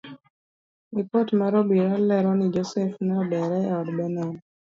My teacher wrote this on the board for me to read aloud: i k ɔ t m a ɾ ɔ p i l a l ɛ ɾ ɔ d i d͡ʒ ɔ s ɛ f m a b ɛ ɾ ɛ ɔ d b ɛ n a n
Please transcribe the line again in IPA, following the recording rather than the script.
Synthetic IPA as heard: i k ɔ t m a ɾ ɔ b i ɾ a l ɛ ɾ ɔ n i d͡ʒ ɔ s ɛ f n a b ɛ ɾ ɛ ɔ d b ɛ n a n